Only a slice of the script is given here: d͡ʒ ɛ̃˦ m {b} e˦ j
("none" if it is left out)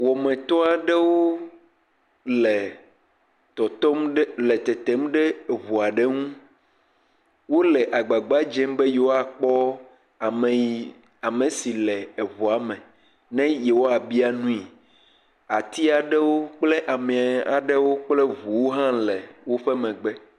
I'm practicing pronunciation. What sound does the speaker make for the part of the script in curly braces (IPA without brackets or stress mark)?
b